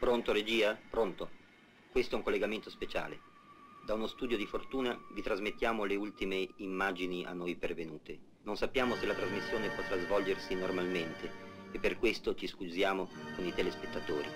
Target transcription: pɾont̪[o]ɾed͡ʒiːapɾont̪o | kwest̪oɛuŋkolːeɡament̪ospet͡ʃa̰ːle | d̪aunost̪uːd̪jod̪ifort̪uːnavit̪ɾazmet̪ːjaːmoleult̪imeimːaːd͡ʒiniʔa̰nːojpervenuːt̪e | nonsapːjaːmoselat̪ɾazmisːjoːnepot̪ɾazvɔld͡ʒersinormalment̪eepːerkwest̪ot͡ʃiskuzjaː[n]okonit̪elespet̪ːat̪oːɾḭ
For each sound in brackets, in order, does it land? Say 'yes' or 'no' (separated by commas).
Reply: yes, no